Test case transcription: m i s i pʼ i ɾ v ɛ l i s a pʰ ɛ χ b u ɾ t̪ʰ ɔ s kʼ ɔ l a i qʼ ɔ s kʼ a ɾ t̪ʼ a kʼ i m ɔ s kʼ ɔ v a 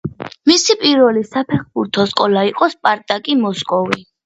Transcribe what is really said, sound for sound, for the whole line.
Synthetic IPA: m i s i pʼ i ɾ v ɛ l i s a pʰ ɛ χ b u ɾ t̪ʰ ɔ s kʼ ɔ l a i qʼ ɔ s pʼ a ɾ t̪ʼ a kʼ i m ɔ s kʼ ɔ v i